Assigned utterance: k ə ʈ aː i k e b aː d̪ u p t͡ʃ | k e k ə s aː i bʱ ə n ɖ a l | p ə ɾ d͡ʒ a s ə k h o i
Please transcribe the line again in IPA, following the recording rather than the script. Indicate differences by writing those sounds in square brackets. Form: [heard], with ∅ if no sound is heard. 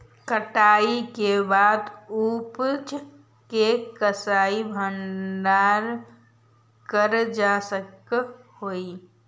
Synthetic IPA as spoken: k ə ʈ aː i k e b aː d̪ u p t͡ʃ | k e k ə s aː i bʱ ə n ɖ a [ɾ] | [k] ə ɾ d͡ʒ a s ə k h o i